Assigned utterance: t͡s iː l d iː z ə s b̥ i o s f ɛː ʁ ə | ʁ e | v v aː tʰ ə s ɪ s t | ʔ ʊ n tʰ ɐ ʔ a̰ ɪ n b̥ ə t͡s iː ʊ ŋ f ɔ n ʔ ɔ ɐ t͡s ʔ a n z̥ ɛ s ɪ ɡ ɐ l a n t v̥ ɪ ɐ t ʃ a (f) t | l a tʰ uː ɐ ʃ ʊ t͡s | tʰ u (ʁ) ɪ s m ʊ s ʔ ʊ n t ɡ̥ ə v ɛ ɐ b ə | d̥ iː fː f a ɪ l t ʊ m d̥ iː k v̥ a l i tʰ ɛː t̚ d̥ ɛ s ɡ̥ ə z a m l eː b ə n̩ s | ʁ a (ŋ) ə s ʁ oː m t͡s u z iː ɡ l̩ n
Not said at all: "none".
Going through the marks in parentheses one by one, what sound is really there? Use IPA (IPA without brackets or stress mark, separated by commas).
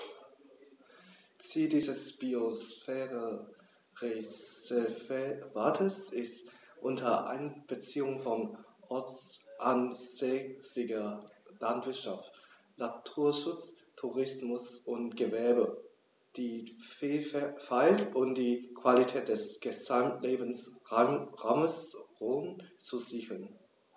f, ʁ, m